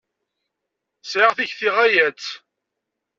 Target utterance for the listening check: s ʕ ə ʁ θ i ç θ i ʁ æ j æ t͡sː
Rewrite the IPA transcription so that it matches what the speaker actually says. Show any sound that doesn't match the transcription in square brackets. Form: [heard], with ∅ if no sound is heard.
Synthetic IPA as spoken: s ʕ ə ʁ θ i ç θ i ʁ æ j æ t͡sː